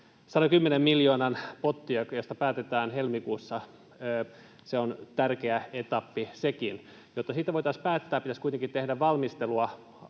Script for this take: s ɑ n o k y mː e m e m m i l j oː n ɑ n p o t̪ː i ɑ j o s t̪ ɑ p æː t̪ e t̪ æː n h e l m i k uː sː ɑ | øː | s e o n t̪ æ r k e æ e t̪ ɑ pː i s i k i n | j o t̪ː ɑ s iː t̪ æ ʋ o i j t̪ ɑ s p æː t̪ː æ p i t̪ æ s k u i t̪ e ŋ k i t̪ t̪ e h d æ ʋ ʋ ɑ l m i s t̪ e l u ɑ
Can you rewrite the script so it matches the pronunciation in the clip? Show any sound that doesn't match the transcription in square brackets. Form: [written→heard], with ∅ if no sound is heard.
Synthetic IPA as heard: s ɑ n o k y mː e [m→n] e m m i l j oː n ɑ n p o t̪ː i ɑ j o s t̪ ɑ p æː t̪ e t̪ æː n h e l m i k uː sː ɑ | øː | s e o n t̪ æ r k e æ e t̪ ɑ pː i s [i→e] k i n | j o t̪ː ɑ s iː t̪ æ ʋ o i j t̪ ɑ s p æː t̪ː [æ→æː] p i t̪ æ s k u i t̪ e ŋ k i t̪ t̪ e h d æ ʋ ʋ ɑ l m i s t̪ e l u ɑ